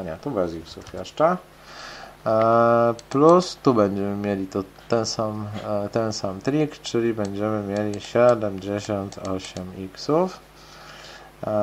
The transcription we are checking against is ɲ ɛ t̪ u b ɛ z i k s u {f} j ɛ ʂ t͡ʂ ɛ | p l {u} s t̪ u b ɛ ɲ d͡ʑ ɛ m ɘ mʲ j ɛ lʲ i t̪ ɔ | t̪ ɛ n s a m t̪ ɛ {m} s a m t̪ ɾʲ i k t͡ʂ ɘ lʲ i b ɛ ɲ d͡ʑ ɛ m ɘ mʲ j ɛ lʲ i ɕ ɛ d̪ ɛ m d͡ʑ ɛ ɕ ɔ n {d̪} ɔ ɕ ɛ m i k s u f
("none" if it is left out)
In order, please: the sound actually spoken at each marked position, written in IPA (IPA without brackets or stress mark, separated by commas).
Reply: f, u, n, t̪